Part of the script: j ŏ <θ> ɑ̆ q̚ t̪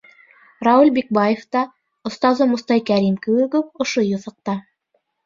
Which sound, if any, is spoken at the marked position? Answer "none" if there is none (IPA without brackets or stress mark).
θ